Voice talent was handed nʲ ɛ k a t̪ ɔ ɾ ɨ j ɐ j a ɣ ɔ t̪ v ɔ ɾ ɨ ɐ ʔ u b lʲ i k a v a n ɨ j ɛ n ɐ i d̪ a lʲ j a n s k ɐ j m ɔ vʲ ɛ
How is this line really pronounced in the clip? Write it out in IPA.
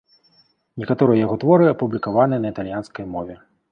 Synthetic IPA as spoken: nʲ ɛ k a t̪ ɔ ɾ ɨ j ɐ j a ɣ ɔ t̪ v ɔ ɾ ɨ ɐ p u b lʲ i k a v a n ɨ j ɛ n ɐ i t̪ a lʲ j a n s k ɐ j m ɔ vʲ ɛ